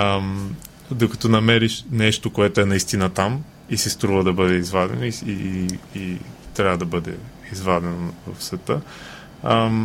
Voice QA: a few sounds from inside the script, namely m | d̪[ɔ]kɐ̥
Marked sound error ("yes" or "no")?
yes